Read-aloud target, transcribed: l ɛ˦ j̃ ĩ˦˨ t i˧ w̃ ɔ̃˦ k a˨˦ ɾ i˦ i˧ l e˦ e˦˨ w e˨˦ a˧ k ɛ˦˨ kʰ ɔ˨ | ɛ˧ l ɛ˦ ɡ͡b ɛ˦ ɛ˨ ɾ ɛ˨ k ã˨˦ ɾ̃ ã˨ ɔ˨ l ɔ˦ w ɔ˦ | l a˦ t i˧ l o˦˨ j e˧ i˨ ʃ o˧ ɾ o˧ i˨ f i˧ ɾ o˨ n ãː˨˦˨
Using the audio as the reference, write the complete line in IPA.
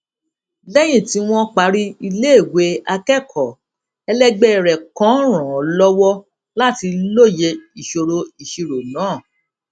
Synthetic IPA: l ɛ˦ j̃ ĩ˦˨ t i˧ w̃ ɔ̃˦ k͡p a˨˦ ɾ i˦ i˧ l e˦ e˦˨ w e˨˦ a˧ k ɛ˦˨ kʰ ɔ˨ | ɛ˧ l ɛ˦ ɡ͡b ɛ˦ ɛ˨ ɾ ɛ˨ k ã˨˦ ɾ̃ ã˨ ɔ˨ l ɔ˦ w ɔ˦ | l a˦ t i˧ l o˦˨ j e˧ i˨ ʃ o˧ ɾ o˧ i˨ ʃ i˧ ɾ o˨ n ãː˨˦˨